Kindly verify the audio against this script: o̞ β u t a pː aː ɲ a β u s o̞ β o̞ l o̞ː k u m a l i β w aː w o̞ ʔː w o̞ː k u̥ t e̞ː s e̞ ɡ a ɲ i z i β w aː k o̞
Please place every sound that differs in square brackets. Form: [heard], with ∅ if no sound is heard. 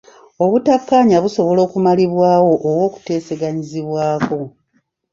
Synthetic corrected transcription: o̞ β u t a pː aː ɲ a β u s o̞ β o̞ l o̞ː k u m a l i β w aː w o̞ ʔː w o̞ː k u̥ t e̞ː s e̞ ɡ a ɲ i z i β w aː k o̞